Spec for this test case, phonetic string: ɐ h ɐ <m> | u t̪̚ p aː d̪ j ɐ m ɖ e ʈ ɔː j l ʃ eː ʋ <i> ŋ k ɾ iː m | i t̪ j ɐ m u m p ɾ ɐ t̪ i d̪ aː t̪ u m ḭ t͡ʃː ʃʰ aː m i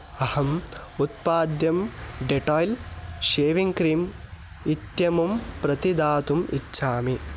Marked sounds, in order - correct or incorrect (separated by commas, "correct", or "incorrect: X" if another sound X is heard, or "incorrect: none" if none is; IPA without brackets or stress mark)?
correct, correct